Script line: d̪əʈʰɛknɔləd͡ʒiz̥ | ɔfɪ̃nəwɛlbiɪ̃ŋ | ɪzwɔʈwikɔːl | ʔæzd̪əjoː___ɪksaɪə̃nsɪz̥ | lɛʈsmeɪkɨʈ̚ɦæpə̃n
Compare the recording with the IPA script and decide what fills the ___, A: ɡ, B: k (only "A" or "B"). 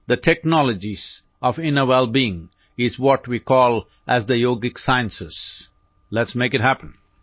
A